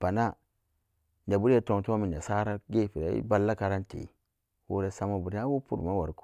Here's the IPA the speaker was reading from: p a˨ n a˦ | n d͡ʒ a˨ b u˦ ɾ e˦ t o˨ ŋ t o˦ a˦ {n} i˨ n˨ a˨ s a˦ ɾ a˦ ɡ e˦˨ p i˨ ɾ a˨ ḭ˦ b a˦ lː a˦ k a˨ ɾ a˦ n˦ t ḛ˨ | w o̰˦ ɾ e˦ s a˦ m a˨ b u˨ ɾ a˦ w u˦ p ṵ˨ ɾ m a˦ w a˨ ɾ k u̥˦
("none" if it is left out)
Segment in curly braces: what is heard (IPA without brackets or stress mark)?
m